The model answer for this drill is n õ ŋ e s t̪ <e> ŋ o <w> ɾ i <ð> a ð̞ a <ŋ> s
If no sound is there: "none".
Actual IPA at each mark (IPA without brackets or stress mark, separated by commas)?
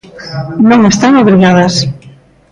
a, β, ɣ, none